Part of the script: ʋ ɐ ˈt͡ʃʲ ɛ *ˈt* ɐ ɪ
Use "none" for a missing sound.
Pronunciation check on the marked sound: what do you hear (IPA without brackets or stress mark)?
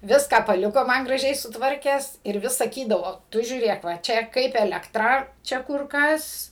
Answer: k